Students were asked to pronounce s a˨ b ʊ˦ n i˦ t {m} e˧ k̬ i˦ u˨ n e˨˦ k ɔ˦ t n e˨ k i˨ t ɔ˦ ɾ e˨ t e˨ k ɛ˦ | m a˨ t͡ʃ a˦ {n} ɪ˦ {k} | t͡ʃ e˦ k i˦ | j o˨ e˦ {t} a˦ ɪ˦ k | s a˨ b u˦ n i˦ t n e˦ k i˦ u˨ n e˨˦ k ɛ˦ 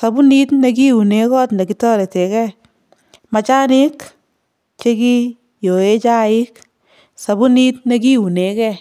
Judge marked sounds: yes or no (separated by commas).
no, yes, yes, no